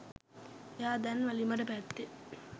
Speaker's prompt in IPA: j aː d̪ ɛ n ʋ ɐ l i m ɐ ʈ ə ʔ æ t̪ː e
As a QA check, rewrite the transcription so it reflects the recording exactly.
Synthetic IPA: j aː d̪ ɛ n ʋ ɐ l i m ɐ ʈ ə p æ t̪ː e